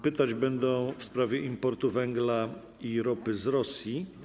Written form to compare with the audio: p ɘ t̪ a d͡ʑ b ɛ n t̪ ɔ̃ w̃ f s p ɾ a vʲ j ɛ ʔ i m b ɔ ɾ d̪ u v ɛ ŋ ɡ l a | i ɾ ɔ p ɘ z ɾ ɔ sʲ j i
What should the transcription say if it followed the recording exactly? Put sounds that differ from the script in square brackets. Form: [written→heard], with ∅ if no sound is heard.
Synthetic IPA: p ɘ t̪ a d͡ʑ b ɛ n [t̪→d̪] ɔ̃ w̃ f s p ɾ a vʲ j ɛ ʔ i m [b→p] ɔ ɾ [d̪→t̪] u v ɛ ŋ ɡ l a | i ɾ ɔ p ɘ z ɾ ɔ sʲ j i